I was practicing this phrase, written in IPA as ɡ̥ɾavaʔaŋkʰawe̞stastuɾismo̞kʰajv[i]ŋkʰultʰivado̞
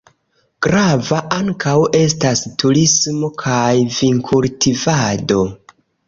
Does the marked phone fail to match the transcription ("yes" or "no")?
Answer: no